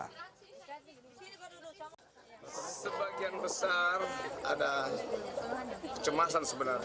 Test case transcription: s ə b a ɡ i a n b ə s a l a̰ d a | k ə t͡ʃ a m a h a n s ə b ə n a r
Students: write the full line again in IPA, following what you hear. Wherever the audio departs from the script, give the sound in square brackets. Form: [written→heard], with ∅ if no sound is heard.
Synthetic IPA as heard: s ə b a ɡ i a n b ə s a [l→r] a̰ d a | k ə t͡ʃ [a→ə] m a [h→s] a n s ə b ə n a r